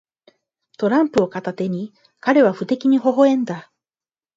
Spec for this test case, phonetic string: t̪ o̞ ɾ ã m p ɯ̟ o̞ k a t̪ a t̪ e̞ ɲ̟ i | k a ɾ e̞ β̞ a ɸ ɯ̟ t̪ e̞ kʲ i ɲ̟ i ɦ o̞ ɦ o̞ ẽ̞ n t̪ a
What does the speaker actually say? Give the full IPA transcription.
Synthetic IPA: t̪ o̞ ɾ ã m p ɯ̟ o̞ k a t̪ a t̪ e̞ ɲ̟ i | k a ɾ e̞ β̞ a ɸ ɯ̟ t̪ e̞ kʲ i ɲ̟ i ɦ o̞ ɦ o̞ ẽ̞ n d̪ a